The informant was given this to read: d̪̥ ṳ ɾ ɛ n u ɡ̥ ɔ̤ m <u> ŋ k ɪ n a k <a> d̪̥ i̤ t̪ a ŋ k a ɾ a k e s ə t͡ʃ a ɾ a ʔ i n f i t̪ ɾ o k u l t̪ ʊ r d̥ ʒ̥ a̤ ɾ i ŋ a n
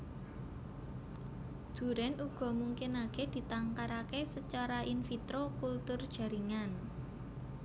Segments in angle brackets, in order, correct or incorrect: correct, incorrect

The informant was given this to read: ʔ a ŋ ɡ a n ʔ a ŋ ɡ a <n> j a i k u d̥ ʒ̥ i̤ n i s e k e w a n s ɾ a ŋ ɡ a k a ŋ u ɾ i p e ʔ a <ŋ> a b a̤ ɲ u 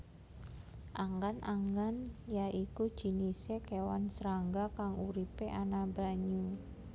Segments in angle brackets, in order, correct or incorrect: correct, incorrect

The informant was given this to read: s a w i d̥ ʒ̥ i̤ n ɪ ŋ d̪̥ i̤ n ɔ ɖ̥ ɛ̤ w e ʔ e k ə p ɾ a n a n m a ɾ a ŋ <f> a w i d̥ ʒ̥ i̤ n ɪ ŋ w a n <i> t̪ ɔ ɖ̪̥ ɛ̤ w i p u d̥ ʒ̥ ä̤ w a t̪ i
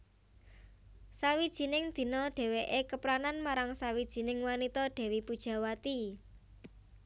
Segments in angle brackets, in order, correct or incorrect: incorrect, correct

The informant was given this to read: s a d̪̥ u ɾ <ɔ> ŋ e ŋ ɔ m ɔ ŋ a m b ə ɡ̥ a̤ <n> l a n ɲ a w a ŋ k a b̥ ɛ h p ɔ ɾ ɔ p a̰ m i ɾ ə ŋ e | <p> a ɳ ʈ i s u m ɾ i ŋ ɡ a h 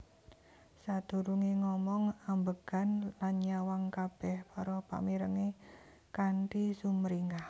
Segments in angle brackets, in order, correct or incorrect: incorrect, correct, incorrect

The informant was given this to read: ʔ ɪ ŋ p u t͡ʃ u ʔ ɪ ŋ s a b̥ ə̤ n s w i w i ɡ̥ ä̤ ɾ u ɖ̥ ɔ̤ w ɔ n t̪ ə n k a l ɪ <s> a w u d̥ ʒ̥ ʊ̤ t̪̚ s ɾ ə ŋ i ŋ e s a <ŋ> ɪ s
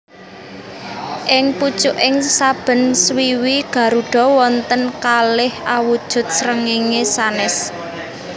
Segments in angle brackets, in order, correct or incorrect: incorrect, incorrect

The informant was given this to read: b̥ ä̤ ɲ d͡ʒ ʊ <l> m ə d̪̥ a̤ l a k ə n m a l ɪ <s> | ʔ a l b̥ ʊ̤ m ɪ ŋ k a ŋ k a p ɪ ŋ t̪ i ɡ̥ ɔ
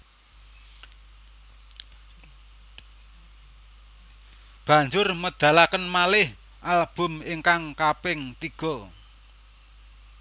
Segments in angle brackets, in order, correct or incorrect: incorrect, incorrect

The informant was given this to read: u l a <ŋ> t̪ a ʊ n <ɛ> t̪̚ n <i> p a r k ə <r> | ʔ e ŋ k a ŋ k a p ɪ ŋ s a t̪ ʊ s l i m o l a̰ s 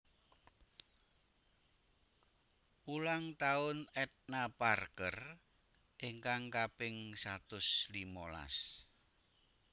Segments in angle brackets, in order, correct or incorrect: correct, correct, incorrect, correct

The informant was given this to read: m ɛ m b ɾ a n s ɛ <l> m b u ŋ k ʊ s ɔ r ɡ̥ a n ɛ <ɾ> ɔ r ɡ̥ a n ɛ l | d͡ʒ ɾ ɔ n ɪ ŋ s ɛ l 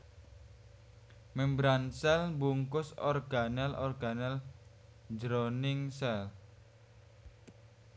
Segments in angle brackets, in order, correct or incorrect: correct, incorrect

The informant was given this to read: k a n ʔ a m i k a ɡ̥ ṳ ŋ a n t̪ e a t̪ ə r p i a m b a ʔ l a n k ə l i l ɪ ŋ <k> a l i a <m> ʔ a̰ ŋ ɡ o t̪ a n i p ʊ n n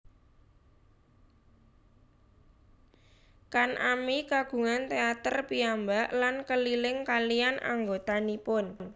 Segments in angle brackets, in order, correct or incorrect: correct, incorrect

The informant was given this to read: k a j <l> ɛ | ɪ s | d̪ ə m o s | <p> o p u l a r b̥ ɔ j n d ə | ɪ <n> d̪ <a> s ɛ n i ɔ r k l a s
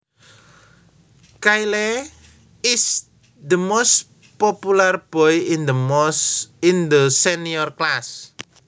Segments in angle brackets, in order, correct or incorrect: correct, correct, correct, incorrect

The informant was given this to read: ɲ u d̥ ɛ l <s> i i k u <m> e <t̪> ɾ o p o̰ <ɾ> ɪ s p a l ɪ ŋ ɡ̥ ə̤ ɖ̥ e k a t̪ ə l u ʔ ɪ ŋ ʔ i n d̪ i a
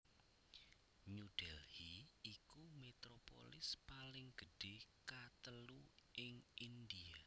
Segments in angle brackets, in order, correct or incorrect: incorrect, correct, correct, incorrect

